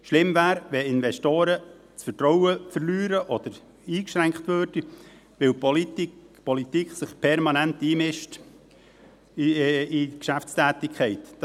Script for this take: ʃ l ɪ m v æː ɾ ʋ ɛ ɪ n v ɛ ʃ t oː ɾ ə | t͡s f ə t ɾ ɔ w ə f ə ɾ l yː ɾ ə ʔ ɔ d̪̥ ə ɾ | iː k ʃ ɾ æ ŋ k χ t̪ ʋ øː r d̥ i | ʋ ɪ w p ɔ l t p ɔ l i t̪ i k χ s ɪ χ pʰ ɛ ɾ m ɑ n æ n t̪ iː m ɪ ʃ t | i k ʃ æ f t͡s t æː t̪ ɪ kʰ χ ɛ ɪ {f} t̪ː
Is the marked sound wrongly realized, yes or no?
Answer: yes